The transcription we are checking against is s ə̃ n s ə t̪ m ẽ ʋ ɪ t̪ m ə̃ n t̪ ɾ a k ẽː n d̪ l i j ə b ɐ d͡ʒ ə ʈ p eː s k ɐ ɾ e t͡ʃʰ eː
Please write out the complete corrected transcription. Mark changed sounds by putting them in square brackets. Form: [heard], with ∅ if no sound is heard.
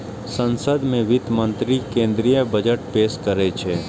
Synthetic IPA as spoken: s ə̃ n s ə [d̪] m ẽ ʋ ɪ t̪ m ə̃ n t̪ ɾ [i] k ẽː n d̪ [ɾ] i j ə b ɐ d͡ʒ ə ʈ p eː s k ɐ ɾ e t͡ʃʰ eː